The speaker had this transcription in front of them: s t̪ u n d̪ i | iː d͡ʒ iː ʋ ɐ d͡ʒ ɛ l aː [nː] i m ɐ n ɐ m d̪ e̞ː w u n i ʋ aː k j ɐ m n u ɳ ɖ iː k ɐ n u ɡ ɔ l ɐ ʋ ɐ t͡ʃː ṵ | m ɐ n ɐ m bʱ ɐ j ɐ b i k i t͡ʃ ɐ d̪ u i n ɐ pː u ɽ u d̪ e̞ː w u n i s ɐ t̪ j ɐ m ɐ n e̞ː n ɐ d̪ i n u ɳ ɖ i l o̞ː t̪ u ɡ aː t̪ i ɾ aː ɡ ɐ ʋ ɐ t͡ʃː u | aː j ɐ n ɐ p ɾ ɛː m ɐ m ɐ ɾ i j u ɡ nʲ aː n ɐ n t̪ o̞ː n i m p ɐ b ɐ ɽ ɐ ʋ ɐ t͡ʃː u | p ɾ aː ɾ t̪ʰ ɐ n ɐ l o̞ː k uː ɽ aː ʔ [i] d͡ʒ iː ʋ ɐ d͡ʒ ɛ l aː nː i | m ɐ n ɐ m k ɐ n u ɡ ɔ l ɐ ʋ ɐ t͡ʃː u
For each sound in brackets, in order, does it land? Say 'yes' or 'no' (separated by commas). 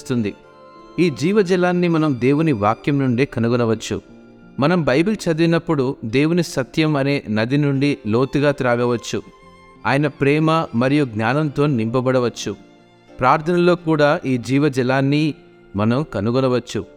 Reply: yes, no